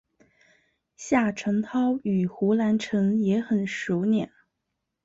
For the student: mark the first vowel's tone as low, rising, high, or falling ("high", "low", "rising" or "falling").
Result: falling